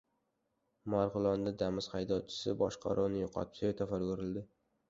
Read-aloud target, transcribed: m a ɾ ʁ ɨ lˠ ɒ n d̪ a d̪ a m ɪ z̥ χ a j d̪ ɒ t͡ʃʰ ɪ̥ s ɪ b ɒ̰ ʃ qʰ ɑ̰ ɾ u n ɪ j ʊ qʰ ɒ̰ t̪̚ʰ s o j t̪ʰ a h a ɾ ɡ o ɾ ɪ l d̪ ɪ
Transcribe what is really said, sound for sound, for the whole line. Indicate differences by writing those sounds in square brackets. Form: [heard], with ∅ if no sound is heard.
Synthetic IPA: m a ɾ ʁ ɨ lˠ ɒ n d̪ a d̪ a m ɪ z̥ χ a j d̪ ɒ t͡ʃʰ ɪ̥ s ɪ b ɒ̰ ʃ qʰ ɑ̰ ɾ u n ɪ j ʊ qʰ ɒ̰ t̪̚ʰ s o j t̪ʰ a [f] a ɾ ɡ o ɾ ɪ l d̪ ɪ